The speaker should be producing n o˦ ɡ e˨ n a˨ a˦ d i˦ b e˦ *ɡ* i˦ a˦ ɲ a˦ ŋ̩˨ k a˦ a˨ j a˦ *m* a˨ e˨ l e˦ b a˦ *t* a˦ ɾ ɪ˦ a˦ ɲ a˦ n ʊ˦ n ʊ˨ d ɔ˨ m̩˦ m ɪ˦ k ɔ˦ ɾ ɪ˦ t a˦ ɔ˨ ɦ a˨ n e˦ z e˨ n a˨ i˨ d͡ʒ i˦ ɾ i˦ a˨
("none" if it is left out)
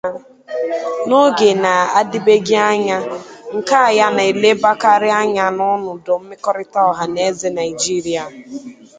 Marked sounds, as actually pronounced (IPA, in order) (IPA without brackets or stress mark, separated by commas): ɡ, n, k